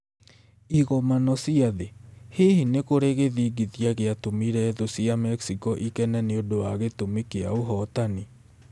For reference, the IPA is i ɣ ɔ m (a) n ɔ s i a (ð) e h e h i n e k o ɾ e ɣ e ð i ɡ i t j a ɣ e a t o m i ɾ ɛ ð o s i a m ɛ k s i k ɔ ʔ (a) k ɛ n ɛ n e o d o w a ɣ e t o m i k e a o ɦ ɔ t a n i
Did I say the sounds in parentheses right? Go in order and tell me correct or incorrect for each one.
correct, correct, incorrect

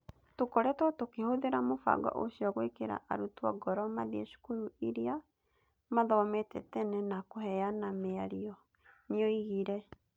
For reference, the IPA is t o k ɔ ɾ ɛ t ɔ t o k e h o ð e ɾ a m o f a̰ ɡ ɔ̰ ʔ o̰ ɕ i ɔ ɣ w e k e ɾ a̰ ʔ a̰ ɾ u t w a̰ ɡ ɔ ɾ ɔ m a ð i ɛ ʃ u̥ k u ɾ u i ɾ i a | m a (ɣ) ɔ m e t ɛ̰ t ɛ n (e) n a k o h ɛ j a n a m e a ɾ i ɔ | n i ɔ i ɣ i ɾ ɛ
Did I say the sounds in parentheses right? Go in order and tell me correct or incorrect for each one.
incorrect, incorrect

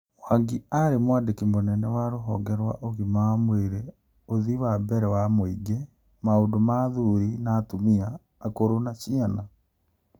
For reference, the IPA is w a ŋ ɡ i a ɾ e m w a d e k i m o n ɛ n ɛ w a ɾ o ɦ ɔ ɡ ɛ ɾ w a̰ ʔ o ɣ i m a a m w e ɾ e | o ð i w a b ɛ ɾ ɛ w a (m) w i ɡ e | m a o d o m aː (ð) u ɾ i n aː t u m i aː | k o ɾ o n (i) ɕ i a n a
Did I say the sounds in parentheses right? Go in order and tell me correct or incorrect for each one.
correct, correct, incorrect

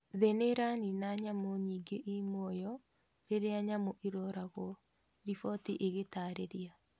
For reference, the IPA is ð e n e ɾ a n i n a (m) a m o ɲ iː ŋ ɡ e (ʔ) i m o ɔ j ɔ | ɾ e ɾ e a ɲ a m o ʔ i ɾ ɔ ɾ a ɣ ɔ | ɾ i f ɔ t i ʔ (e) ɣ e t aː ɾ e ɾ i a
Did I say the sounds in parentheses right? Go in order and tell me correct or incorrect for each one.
incorrect, correct, correct

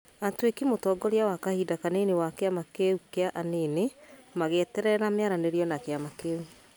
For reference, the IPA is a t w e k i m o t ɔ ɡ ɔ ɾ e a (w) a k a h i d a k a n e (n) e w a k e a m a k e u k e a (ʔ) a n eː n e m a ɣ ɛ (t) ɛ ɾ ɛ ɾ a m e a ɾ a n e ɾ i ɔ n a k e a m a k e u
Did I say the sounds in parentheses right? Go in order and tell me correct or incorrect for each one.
correct, correct, correct, correct

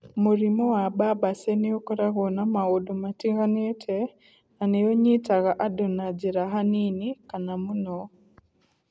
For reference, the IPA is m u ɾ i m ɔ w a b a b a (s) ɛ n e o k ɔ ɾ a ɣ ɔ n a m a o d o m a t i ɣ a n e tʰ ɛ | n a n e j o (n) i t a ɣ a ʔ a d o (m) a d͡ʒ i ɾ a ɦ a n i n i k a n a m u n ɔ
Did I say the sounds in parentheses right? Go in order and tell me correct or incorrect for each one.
correct, incorrect, incorrect

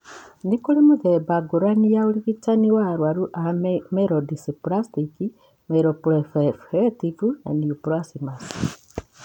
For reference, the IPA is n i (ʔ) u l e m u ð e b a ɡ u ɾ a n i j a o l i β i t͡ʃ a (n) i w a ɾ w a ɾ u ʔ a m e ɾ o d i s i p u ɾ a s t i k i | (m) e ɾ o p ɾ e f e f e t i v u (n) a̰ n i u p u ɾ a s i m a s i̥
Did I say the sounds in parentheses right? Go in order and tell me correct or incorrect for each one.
incorrect, correct, correct, correct

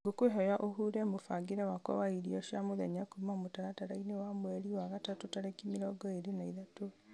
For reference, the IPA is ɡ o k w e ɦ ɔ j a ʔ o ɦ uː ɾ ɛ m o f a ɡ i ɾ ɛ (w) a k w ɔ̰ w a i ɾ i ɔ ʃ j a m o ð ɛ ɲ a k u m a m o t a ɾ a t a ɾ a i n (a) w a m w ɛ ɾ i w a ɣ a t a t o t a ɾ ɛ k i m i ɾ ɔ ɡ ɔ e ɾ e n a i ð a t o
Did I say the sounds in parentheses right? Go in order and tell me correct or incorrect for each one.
correct, incorrect

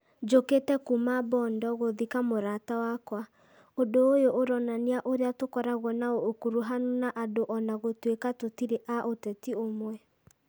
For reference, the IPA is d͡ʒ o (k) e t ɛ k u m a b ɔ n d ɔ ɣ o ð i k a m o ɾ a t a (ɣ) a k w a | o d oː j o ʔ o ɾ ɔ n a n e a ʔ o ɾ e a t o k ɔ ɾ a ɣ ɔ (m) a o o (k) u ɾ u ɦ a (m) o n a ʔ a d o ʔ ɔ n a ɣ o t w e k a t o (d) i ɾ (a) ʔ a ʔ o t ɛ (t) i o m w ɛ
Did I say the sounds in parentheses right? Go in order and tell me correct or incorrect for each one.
correct, incorrect, incorrect, correct, incorrect, incorrect, incorrect, correct

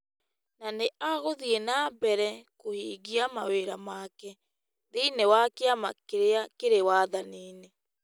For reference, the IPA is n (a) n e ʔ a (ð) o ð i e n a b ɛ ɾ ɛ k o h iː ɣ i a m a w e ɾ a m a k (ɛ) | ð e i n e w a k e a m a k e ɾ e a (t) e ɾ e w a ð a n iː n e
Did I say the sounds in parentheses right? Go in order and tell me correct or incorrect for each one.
correct, incorrect, correct, incorrect

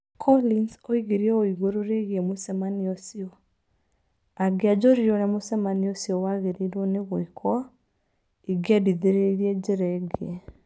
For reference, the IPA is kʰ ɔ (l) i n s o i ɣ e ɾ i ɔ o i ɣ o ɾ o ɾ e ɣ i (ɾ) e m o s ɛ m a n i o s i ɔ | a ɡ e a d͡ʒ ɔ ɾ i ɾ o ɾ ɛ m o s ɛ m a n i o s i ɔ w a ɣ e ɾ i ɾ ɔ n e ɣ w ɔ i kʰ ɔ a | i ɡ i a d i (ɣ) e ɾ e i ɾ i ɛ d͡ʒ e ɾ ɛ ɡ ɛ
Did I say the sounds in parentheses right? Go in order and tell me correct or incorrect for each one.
correct, incorrect, incorrect

